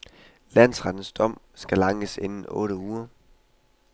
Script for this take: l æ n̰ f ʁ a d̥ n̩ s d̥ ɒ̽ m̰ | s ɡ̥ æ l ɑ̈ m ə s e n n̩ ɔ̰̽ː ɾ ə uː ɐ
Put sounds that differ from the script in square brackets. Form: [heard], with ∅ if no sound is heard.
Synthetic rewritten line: l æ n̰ [s] ʁ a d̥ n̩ s d̥ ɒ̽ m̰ | s ɡ̥ æ l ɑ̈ [ŋ] ə s e n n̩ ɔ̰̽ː ɾ ə uː ɐ